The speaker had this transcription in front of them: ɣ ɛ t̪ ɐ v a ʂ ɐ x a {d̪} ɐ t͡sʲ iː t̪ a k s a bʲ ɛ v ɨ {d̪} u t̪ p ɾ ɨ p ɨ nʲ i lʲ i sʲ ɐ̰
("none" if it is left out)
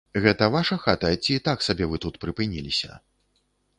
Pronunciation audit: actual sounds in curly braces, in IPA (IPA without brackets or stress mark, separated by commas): t̪, t̪